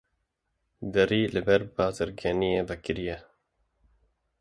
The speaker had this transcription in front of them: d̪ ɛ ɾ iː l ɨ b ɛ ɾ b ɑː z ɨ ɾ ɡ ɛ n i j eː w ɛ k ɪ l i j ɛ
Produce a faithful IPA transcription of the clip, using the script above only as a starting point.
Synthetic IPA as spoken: d̪ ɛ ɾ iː l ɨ b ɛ ɾ b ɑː z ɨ ɾ ɡ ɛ n i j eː v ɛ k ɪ ɾ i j ɛ